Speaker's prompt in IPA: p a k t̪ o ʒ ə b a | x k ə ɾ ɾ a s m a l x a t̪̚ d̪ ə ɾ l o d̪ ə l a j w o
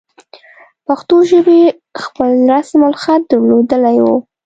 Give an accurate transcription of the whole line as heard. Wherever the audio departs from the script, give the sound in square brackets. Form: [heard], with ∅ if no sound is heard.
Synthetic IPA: p a [x] t̪ o ʒ ə b [e] | x [p] ə [l] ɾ a s m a l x a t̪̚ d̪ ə ɾ l o d̪ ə l a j w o

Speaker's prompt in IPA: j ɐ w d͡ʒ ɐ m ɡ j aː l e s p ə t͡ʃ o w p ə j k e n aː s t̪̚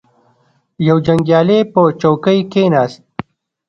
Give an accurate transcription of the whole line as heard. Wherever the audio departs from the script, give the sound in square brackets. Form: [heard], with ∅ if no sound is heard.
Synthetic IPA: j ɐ w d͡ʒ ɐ [ŋ] ɡ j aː l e [∅] p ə t͡ʃ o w [k] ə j k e n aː s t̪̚

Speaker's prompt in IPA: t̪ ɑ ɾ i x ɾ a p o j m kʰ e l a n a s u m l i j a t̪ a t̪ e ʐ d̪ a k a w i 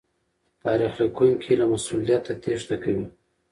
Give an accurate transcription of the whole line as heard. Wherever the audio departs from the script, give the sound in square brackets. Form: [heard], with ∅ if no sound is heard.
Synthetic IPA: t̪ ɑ ɾ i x [l] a [k] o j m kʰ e l a [m] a s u [∅] l i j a t̪ a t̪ e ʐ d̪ a k a w i

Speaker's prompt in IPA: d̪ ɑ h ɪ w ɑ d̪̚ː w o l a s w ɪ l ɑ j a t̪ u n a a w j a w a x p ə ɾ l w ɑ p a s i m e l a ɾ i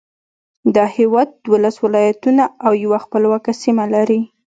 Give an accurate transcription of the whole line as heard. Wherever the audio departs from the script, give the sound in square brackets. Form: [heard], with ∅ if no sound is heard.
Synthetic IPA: d̪ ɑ h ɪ w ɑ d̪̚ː w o l a s w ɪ l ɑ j a t̪ u n a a w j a w a x p ə [∅] l w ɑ [k] a s i m [a] l a ɾ i

